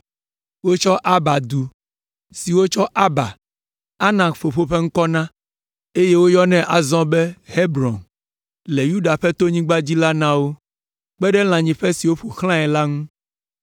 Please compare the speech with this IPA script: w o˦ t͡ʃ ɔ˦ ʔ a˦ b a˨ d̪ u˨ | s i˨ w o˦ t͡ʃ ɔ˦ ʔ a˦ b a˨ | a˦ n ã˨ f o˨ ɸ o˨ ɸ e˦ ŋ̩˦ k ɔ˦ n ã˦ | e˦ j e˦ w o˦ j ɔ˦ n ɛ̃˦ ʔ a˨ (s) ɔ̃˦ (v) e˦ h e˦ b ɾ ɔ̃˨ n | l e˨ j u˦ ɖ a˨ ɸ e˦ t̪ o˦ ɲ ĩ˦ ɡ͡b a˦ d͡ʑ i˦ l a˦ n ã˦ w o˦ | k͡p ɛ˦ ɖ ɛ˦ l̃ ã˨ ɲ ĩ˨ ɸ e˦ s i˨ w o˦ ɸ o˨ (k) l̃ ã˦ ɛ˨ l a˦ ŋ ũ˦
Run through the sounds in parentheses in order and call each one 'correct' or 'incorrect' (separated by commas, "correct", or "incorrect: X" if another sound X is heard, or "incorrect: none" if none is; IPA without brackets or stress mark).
incorrect: z, incorrect: b, incorrect: x